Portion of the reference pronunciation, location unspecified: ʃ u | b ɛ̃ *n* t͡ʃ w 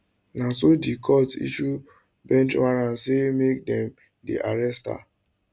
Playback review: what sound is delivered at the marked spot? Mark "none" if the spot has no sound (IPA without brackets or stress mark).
n